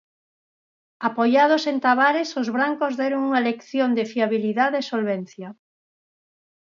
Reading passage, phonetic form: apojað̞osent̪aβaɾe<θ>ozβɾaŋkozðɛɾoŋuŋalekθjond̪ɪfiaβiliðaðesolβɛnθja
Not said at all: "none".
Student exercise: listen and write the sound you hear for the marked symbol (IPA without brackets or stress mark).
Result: s